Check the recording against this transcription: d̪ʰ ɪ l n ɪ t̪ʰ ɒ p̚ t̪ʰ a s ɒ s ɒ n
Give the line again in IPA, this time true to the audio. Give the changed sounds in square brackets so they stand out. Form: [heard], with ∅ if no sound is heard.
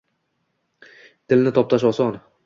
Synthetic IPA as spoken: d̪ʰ ɪ l n ɪ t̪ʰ ɒ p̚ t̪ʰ a [ʃ] ɒ s ɒ n